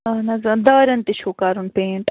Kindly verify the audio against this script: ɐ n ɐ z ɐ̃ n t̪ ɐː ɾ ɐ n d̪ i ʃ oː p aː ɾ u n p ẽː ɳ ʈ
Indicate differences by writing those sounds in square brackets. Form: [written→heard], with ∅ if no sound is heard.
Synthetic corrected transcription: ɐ n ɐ z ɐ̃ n [t̪→d̪] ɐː ɾ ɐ n [d̪→t̪] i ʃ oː [p→k] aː ɾ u n p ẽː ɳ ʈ